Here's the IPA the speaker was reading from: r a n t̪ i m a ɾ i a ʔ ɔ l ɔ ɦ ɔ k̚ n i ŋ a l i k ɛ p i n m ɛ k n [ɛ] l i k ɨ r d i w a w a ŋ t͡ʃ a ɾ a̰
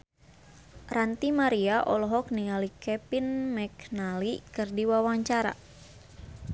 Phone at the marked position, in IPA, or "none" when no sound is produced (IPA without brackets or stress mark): a